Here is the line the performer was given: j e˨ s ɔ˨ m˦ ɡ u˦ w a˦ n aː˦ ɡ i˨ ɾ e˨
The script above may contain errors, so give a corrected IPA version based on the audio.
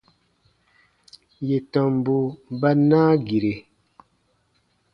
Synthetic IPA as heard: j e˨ t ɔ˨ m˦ b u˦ b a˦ n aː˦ ɡ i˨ ɾ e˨